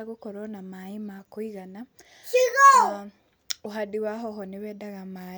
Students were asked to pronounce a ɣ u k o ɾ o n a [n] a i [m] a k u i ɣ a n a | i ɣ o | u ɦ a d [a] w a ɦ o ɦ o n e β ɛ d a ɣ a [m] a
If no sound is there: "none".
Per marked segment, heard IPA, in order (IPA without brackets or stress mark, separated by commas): m, m, i, m